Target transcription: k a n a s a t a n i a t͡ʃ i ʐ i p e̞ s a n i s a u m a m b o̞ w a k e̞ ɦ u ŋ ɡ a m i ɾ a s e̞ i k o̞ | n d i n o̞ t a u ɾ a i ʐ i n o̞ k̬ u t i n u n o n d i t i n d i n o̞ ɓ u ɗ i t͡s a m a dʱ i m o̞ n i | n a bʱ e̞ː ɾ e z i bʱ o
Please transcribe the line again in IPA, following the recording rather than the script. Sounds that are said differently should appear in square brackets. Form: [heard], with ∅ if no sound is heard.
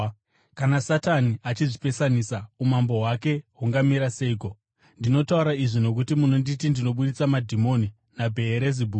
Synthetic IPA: k a n a s a t a n i a t͡ʃ i ʐ i p e̞ s a n i s a u m a m b o̞ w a k e̞ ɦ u ŋ ɡ a m i ɾ a s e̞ i k o̞ | n d i n o̞ t a u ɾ a i ʐ i n o̞ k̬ u t i [m] u n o n d i t i n d i n o̞ ɓ u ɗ i t͡s a m a dʱ i m o̞ n i | n a bʱ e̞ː ɾ e z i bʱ [u]